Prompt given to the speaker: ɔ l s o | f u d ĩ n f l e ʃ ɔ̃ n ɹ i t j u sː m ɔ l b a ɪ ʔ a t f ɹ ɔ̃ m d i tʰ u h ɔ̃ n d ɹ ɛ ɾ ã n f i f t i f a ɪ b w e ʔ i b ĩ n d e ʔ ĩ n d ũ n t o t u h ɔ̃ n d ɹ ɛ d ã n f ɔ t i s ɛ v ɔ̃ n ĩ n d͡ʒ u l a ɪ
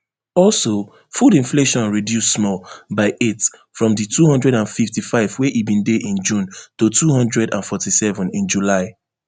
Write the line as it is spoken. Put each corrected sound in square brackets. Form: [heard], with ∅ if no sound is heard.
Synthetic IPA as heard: ɔ l s o | f u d ĩ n f l e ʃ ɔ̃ n ɹ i [d] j u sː m ɔ l b a ɪ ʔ [e] t f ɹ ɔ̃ m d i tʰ u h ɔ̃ n d ɹ ɛ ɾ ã n f i f t i f a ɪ [v] w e ʔ i b ĩ n d e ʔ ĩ n [d͡ʒ] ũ n t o t u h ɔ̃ n d ɹ ɛ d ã n f ɔ t i s ɛ v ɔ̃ n ĩ n d͡ʒ u l a ɪ